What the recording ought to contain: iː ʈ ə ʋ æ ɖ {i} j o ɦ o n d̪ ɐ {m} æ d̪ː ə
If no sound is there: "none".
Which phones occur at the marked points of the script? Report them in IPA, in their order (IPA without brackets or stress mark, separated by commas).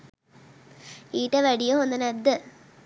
i, n